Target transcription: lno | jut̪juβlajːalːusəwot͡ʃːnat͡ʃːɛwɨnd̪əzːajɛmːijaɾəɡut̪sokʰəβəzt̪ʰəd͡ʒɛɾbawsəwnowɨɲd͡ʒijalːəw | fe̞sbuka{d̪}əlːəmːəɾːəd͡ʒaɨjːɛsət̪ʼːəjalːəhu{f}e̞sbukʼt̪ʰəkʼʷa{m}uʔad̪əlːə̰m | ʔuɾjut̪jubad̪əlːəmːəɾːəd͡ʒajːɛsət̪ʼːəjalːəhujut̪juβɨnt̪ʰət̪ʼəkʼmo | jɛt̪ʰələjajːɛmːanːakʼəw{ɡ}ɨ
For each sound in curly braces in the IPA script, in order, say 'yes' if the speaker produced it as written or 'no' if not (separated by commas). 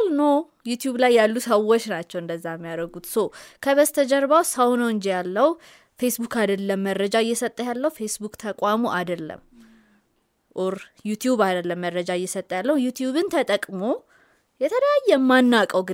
yes, yes, yes, yes